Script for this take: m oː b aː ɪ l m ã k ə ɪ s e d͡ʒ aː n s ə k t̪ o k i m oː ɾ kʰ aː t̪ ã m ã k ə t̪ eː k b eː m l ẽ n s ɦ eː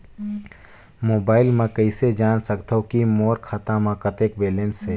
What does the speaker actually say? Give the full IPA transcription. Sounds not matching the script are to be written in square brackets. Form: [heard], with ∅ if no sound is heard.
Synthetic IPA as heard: m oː b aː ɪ l m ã k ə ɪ s e d͡ʒ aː n s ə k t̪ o k i m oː ɾ kʰ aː t̪ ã m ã k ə t̪ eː k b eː [∅] l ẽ n s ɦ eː